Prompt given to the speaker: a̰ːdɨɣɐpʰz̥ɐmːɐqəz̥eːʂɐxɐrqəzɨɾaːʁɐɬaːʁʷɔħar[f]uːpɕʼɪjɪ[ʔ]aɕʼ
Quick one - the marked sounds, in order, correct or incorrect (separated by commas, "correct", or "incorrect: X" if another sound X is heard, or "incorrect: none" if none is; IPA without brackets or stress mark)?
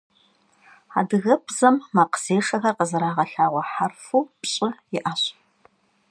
correct, correct